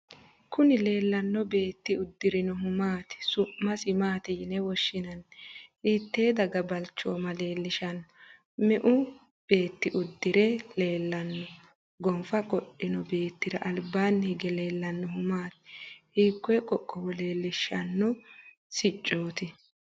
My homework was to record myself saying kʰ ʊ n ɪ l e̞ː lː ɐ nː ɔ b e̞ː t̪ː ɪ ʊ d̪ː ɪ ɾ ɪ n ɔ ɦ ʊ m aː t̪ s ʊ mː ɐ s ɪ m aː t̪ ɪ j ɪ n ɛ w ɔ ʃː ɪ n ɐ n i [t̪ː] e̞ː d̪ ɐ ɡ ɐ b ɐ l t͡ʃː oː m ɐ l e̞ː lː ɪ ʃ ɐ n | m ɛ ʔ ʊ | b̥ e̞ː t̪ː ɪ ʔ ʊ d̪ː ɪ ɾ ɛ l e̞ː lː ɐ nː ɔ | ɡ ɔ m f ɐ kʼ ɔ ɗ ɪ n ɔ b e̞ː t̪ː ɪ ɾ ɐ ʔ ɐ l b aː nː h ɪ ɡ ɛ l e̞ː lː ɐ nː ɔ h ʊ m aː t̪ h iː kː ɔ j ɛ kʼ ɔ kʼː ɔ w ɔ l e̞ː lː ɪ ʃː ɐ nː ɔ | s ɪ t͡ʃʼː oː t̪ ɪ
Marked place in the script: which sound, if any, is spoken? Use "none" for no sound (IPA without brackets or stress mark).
t̪ː